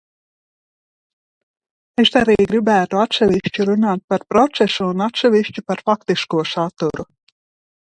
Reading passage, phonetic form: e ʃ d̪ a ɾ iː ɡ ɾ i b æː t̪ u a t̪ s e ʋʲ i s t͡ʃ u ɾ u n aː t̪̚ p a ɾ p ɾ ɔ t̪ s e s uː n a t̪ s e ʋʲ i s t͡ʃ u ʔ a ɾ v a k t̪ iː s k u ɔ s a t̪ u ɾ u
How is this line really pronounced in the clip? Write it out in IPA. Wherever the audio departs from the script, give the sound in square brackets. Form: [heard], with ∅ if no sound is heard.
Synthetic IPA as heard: e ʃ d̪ a ɾ iː ɡ ɾ i b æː t̪ u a t̪ s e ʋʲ i [ʃ] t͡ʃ u ɾ u n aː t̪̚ p a ɾ p ɾ ɔ t̪ s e s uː n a t̪ s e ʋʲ i [ʃ] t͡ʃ u [p] a ɾ [f] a k t̪ [i] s k u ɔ s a t̪ u ɾ u